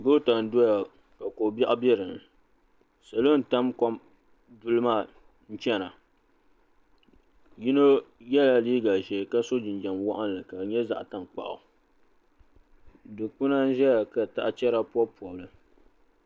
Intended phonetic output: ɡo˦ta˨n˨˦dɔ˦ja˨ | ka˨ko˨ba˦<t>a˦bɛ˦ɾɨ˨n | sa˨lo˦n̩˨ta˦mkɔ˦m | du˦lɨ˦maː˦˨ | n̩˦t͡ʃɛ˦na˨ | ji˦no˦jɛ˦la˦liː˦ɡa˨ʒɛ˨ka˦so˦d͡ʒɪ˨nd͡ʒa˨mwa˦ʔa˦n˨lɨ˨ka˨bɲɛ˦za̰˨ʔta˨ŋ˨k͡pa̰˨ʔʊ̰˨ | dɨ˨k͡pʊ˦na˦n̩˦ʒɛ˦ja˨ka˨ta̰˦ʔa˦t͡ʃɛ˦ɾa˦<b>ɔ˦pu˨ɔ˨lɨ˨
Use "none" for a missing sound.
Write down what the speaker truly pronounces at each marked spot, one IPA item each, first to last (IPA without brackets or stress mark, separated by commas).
ʔ, p